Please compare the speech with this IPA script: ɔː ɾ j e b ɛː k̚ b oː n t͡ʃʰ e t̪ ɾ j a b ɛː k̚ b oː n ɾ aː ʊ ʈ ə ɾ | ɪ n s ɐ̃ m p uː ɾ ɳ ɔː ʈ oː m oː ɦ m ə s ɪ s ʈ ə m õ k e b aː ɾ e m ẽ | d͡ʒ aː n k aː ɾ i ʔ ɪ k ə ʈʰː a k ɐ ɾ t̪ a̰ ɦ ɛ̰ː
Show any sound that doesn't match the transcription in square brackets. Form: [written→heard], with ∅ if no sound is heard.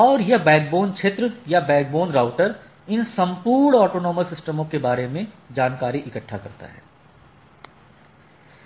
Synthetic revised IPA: ɔː ɾ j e b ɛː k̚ b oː n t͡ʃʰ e t̪ ɾ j a b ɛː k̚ b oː n ɾ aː ʊ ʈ ə ɾ | ɪ n s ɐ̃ m p uː ɾ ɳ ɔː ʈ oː [m→n] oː [ɦ→∅] m ə s ɪ s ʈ ə m õ k e b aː ɾ e m ẽ | d͡ʒ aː n k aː ɾ i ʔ ɪ k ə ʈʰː a k ɐ ɾ t̪ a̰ ɦ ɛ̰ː

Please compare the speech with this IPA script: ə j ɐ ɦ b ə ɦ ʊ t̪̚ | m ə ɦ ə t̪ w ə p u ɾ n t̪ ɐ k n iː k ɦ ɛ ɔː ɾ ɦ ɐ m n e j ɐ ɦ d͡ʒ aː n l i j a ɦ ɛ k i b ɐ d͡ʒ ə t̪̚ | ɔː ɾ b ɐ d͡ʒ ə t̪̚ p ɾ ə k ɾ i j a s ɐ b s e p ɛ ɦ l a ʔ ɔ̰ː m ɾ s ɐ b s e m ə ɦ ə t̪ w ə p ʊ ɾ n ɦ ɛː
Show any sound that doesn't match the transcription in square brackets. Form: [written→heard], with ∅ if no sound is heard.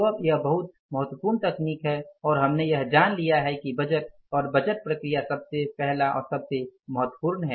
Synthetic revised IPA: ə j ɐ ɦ b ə ɦ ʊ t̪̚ | m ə ɦ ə t̪ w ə p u ɾ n t̪ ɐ k n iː k ɦ ɛ ɔː ɾ ɦ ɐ m n e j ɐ ɦ d͡ʒ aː n l i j a ɦ ɛ k i b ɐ d͡ʒ ə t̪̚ | ɔː ɾ b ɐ d͡ʒ ə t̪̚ p ɾ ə k ɾ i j a s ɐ b s e p ɛ ɦ l a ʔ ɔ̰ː [m→∅] ɾ s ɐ b s e m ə ɦ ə t̪ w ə p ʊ ɾ n ɦ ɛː

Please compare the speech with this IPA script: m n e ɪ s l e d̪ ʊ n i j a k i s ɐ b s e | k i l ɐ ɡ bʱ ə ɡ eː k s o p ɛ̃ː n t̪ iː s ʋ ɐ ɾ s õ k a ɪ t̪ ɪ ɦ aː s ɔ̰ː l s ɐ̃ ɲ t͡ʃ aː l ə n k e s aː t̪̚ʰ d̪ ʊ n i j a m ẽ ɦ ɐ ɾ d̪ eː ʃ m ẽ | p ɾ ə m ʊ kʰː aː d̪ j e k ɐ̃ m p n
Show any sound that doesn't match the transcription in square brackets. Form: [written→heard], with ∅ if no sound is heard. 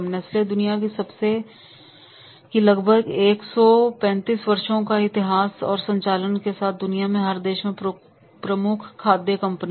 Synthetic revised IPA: m n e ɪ s l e d̪ ʊ n i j a k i s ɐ b s e | k i l ɐ ɡ bʱ ə ɡ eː k s [o→ɔ] p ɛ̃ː n t̪ iː s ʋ ɐ ɾ [s→ʃ] õ k a ɪ t̪ ɪ ɦ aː s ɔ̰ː [l→ɾ] s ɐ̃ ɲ t͡ʃ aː l ə n k e s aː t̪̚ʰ d̪ ʊ n i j a m ẽ ɦ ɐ ɾ d̪ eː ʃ m ẽ | p ɾ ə m ʊ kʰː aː d̪ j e k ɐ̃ m p n

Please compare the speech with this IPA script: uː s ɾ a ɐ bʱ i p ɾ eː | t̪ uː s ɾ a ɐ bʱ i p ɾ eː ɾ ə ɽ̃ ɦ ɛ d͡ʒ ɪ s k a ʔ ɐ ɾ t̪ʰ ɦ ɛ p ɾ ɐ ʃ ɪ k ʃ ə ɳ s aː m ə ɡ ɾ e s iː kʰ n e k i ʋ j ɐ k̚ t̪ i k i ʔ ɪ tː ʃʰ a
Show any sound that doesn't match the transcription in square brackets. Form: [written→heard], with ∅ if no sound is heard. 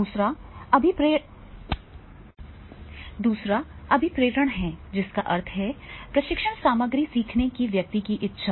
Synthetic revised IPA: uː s ɾ a ɐ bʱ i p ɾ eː | [t̪→d̪] uː s ɾ a ɐ bʱ i p ɾ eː ɾ ə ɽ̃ ɦ ɛ d͡ʒ ɪ s k a ʔ ɐ ɾ t̪ʰ ɦ ɛ p ɾ ɐ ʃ ɪ k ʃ ə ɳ s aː m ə ɡ ɾ [e→i] s iː kʰ n e k i ʋ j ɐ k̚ t̪ i k i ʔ ɪ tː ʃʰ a

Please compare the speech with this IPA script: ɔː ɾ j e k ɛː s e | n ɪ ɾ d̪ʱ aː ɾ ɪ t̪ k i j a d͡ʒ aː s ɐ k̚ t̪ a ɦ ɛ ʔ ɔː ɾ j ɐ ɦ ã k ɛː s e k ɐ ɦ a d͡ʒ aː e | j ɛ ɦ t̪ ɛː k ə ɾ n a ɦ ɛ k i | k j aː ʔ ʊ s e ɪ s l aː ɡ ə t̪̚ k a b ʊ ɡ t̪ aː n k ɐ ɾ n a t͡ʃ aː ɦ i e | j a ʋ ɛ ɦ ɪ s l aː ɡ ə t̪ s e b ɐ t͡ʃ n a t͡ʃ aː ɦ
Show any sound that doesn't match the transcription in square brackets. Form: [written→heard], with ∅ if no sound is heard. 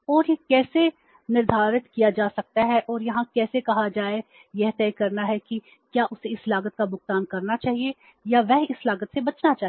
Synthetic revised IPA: ɔː ɾ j e k ɛː s e | n ɪ ɾ d̪ʱ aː ɾ ɪ t̪ k i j a d͡ʒ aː s ɐ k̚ t̪ a ɦ ɛ ʔ ɔː ɾ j ɐ ɦ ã k ɛː s e k ɐ ɦ a d͡ʒ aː e | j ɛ ɦ t̪ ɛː k [ə→ɐ] ɾ n a ɦ ɛ k i | k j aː ʔ ʊ s e ɪ s l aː ɡ ə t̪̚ k a b ʊ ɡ t̪ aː n k ɐ ɾ n a t͡ʃ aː ɦ i e | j a ʋ ɛ ɦ ɪ s l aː ɡ ə t̪ s e b ɐ t͡ʃ n a t͡ʃ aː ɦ

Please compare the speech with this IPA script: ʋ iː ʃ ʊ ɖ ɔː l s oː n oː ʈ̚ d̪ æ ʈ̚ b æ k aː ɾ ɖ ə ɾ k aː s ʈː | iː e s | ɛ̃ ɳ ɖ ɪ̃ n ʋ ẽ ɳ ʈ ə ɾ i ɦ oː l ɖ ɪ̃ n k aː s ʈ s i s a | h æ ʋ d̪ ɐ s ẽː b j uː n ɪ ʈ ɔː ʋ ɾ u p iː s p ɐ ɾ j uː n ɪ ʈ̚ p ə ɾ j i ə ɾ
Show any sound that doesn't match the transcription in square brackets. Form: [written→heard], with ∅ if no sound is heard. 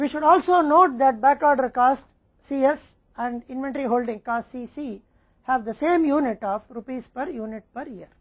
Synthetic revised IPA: ʋ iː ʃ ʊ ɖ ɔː l s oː n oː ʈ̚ d̪ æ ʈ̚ b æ k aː ɾ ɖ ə ɾ k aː s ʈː | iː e s | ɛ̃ ɳ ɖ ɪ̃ n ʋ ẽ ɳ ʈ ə ɾ i ɦ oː l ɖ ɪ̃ [n→ŋ] k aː s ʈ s i s [a→i] | h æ ʋ d̪ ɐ s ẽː [b→m] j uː n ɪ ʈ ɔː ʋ ɾ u p iː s p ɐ ɾ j uː n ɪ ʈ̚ p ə ɾ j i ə ɾ

